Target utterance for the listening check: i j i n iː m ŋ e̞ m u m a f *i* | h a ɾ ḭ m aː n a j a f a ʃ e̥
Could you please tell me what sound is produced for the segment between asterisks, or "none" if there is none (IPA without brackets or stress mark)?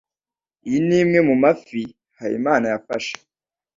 i